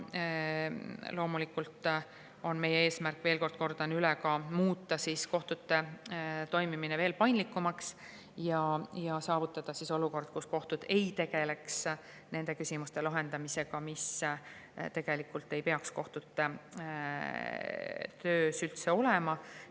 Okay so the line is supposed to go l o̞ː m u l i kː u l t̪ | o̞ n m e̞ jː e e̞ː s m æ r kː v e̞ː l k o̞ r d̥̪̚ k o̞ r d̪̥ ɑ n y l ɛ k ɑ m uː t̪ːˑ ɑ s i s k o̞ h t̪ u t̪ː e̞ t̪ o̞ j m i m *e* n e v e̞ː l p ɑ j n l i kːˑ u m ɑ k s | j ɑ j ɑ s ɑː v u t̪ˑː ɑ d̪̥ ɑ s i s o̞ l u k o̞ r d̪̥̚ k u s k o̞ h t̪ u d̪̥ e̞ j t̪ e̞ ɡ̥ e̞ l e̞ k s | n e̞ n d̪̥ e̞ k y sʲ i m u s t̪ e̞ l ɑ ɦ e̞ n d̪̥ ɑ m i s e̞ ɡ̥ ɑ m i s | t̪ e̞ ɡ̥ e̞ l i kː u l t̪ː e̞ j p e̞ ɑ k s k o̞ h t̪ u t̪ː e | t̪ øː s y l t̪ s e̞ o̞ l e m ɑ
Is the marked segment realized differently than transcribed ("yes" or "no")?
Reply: yes